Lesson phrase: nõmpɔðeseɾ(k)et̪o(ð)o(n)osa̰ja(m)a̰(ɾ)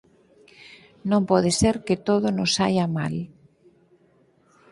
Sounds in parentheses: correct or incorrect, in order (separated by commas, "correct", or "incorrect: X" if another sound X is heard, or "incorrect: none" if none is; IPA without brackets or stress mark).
correct, correct, correct, correct, incorrect: l